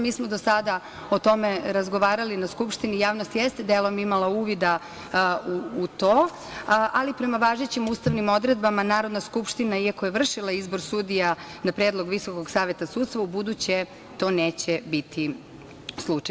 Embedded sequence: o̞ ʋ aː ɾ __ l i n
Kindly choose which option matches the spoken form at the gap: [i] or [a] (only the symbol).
a